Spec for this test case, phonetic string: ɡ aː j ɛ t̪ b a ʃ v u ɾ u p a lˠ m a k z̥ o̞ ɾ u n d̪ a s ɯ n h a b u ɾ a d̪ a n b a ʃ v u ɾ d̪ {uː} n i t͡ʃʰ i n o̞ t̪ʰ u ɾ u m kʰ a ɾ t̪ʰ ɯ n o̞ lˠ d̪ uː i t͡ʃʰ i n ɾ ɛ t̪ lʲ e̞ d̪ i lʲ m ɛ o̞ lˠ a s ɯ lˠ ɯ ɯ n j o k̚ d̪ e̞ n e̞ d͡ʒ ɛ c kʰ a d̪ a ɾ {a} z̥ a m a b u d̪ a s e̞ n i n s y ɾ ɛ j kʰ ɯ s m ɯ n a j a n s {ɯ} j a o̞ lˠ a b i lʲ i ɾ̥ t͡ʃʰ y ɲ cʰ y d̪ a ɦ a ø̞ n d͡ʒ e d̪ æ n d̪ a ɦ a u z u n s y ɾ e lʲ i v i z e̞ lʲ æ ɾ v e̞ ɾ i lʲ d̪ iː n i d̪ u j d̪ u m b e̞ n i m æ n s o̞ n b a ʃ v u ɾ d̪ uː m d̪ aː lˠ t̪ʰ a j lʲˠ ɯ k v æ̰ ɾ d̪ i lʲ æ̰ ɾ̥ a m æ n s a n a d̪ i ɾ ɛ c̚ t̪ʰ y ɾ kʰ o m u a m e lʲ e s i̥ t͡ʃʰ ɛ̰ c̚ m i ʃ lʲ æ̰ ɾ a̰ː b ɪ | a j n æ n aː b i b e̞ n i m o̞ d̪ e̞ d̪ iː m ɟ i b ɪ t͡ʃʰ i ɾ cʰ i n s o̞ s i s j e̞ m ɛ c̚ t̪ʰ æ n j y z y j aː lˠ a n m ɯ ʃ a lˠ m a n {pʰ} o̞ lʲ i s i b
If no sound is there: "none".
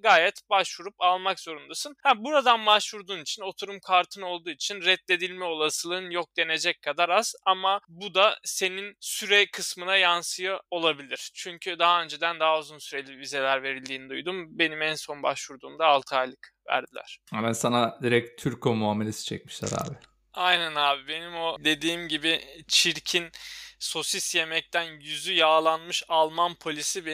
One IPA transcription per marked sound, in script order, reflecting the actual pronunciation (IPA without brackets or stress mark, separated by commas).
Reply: uː, a, ɯ, pʰ